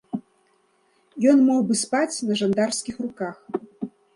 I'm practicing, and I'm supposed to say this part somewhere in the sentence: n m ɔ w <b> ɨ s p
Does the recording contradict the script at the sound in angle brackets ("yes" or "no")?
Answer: no